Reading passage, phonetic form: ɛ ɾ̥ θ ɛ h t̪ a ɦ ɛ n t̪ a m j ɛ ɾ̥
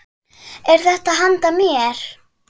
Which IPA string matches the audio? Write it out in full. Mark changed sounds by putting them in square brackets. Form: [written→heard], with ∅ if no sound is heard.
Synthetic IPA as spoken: ɛ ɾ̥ θ ɛ h t̪ a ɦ [ɛ→a] n t̪ a m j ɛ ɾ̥